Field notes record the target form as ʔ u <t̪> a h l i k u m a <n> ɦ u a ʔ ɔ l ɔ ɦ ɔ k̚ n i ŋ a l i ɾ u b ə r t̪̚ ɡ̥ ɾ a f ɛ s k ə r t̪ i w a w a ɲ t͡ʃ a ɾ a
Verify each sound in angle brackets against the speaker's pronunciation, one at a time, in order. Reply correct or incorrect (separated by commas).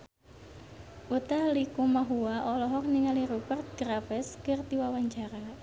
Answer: correct, incorrect